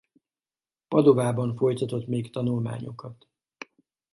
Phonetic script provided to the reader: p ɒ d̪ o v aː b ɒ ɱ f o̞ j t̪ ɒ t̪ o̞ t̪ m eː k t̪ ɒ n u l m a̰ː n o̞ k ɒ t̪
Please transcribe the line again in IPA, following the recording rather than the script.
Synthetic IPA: p ɒ d̪ o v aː b ɒ ɱ f o̞ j t̪ ɒ t̪ o̞ t̪ m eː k t̪ ɒ n u l m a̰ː ɲ o̞ k ɒ t̪